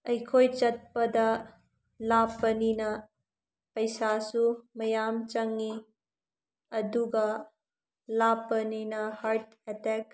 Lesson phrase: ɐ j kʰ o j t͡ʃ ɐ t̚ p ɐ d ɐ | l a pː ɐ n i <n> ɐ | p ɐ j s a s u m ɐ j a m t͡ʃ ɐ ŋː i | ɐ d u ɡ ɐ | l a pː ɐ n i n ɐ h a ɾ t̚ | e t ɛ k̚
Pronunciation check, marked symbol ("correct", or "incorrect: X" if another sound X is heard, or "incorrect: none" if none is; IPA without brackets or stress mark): correct